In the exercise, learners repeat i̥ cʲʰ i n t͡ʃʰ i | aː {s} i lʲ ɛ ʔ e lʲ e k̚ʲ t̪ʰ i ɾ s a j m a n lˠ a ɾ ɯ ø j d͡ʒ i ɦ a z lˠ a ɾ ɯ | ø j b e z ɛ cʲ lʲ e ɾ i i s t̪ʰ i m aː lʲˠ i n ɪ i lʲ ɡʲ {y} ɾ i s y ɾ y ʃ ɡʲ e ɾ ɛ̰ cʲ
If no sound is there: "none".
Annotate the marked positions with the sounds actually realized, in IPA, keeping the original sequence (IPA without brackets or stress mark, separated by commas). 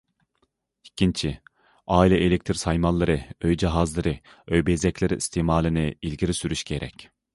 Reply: none, i